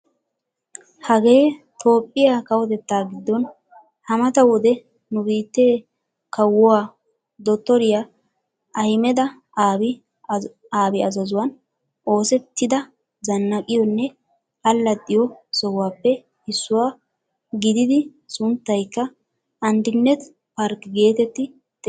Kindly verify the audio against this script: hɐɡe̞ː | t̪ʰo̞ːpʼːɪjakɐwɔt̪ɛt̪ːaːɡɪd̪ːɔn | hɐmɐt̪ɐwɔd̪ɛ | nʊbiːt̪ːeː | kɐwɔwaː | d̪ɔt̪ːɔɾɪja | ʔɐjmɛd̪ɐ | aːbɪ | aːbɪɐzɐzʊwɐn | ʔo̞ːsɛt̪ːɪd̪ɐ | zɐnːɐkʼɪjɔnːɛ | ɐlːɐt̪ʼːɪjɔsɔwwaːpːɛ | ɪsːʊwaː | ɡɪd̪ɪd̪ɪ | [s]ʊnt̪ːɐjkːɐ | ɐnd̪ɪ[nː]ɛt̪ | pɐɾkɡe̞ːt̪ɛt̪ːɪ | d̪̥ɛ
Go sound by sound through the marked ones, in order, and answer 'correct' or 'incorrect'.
correct, correct

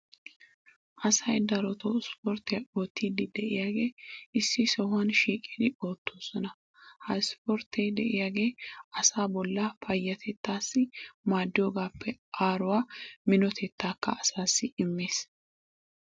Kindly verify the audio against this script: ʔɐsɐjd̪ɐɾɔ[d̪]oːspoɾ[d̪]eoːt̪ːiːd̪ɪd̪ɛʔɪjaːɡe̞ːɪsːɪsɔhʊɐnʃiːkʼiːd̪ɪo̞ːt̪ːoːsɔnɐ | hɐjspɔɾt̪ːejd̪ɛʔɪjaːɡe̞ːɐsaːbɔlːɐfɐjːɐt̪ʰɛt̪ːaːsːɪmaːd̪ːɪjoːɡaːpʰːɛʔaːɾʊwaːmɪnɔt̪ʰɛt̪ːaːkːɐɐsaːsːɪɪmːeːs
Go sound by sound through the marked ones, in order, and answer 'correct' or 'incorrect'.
incorrect: t̪, incorrect: t̪

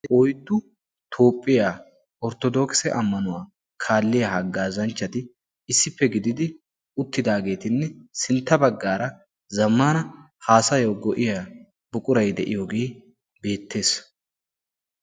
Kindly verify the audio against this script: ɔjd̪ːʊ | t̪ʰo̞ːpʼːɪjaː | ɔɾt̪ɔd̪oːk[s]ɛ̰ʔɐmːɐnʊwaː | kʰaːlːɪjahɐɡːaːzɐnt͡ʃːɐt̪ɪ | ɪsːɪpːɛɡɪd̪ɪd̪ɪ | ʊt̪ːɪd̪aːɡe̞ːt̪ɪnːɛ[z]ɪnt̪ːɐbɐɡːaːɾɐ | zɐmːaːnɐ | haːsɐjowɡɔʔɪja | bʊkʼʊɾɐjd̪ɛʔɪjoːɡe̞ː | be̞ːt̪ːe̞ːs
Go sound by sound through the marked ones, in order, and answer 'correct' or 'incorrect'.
correct, incorrect: s

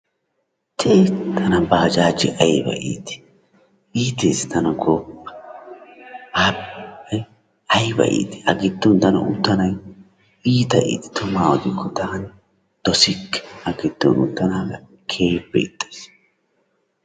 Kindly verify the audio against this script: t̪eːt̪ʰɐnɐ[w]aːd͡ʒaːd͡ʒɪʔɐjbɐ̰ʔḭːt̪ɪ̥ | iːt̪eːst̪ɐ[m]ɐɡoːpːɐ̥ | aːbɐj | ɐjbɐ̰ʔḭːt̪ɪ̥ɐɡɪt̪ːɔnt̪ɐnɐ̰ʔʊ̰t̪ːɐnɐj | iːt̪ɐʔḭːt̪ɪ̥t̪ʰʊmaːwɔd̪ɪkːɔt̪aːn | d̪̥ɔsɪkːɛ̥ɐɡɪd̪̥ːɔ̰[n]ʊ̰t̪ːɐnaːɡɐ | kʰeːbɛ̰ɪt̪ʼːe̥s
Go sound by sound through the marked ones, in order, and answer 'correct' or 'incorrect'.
incorrect: b, incorrect: n, correct

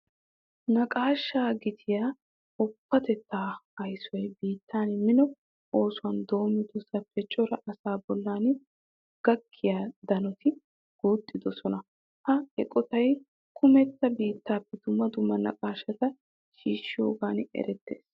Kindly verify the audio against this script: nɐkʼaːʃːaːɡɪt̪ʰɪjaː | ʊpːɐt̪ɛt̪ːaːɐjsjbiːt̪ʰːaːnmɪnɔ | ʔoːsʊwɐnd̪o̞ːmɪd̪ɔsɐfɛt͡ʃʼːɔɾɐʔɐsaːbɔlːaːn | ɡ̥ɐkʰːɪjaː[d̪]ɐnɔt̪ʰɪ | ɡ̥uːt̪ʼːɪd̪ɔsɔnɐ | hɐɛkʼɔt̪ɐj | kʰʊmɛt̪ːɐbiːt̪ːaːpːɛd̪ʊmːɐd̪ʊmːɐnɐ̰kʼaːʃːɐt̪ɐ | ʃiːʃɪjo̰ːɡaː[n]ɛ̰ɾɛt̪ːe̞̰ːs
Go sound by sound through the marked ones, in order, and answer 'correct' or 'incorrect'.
correct, correct

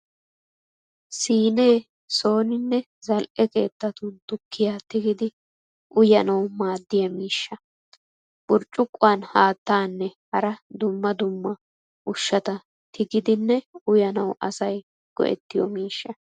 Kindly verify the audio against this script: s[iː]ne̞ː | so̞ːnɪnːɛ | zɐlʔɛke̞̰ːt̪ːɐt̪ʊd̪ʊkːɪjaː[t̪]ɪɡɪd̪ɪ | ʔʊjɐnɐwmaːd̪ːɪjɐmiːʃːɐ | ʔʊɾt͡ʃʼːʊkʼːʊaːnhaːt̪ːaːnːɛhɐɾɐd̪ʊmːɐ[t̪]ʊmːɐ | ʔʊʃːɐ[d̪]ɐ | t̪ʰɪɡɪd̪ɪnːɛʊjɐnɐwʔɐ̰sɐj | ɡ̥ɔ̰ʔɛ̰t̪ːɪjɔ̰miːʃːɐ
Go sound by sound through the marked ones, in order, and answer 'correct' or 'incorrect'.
correct, correct, incorrect: d̪, incorrect: t̪

